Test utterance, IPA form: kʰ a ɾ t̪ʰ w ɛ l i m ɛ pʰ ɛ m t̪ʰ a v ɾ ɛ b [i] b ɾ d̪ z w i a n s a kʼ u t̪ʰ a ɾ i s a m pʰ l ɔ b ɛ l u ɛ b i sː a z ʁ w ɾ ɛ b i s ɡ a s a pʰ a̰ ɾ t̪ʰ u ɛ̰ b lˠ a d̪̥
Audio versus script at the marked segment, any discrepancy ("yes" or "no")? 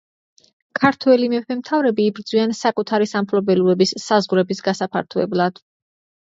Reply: yes